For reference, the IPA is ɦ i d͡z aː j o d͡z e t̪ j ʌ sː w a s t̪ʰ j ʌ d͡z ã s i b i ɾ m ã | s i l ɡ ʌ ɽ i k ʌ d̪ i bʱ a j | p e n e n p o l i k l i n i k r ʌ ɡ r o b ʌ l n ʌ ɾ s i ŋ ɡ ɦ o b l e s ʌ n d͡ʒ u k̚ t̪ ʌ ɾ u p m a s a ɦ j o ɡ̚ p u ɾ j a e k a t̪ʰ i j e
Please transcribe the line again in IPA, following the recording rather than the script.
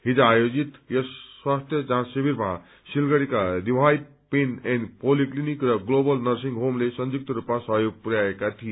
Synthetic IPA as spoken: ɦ i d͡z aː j o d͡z i t̪ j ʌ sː w a s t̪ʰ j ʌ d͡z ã s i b i ɾ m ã | s i l ɡ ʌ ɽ i k a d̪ i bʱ a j | p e n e n p o l i k l i n i k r ʌ ɡ l o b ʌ l n ʌ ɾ s i ŋ ɡ ɦ o m l e s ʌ n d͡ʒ u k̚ t̪ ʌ ɾ u p m a s ʌ ɦ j o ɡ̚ p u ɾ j a e k a t̪ʰ i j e